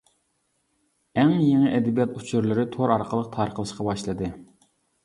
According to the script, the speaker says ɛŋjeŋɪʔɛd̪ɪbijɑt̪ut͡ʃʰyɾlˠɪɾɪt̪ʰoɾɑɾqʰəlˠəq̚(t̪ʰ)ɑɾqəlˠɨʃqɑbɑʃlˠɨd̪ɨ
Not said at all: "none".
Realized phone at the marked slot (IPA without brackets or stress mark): t̪ʰ